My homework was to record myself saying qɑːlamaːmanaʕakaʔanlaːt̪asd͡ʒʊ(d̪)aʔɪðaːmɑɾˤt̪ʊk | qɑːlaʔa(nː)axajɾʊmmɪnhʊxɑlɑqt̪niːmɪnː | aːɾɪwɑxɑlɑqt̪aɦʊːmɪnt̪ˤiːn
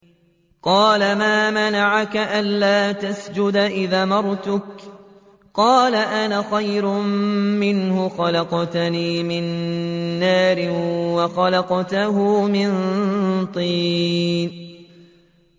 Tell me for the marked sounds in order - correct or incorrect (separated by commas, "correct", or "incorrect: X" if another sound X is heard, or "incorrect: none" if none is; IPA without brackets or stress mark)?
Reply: correct, incorrect: n